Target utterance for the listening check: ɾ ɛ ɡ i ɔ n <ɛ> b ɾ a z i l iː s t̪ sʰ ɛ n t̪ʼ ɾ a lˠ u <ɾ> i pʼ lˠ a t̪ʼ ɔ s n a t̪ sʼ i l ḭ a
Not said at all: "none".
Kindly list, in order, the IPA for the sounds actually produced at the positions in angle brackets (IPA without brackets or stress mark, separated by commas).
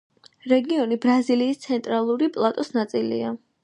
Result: i, ɾ